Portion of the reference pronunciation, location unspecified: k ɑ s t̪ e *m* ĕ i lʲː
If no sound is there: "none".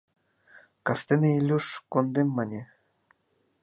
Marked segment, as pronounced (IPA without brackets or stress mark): n